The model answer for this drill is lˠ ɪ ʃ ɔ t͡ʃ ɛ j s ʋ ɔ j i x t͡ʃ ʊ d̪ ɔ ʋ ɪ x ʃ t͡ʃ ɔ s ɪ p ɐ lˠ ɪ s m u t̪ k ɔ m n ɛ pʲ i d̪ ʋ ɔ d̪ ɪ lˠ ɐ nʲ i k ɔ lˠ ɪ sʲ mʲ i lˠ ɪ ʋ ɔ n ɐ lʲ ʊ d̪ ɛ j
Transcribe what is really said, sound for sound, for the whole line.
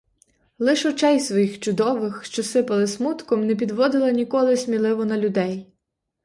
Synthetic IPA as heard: lˠ ɪ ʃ ɔ t͡ʃ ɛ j s ʋ ɔ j i x t͡ʃ ʊ d̪ ɔ ʋ ɪ x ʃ t͡ʃ ɔ s ɪ p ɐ lˠ ɪ s m u t̪ k ɔ m n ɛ pʲ i d̪ ʋ ɔ d̪ ɪ lˠ ɐ nʲ i k ɔ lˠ ɪ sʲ mʲ i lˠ ɪ ʋ ɔ n ɐ lʲ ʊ d̪ ɛ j